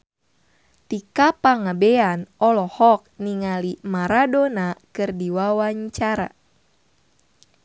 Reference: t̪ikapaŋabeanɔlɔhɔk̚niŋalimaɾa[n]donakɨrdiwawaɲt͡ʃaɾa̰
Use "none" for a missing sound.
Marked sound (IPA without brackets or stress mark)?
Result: none